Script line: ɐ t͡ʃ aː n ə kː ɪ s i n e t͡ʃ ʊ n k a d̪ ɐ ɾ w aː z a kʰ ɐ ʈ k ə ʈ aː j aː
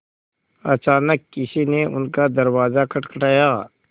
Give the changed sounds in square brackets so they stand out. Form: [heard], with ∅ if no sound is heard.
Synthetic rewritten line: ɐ t͡ʃ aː n ə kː ɪ s i n e [∅] ʊ n k a d̪ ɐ ɾ w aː z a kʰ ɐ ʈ k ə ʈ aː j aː